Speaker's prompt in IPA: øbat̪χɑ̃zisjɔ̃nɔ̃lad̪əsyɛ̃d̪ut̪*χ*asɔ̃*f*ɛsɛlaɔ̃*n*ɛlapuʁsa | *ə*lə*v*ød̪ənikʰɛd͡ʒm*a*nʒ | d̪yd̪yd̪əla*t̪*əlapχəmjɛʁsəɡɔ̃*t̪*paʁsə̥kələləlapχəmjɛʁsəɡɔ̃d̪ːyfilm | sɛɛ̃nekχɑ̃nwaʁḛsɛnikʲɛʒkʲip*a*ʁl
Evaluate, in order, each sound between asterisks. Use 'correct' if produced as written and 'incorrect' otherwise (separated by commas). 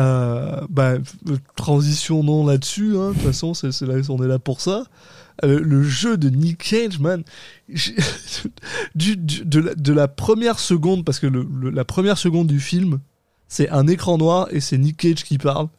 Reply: incorrect, incorrect, correct, correct, incorrect, correct, incorrect, incorrect, correct